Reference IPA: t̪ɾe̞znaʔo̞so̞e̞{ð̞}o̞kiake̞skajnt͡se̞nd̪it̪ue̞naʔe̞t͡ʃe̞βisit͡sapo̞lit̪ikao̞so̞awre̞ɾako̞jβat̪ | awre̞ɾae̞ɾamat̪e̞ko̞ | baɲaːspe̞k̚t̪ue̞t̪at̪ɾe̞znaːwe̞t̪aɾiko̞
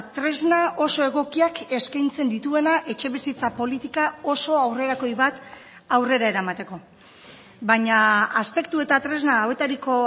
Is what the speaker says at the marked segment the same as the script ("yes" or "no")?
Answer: no